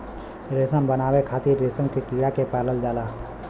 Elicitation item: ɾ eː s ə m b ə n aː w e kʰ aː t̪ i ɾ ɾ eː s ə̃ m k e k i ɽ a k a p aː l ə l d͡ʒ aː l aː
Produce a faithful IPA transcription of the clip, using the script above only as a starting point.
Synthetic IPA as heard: ɾ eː s ə m b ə n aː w e kʰ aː t̪ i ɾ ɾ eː s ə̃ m k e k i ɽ a k e p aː l ə l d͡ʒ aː l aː